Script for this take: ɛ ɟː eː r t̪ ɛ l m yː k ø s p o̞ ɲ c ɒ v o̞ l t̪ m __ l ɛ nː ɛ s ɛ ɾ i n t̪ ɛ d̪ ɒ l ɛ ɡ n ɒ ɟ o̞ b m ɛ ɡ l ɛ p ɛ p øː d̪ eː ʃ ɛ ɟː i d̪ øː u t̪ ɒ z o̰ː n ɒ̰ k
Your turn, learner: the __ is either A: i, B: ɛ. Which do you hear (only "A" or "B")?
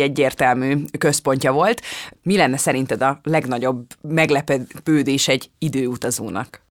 A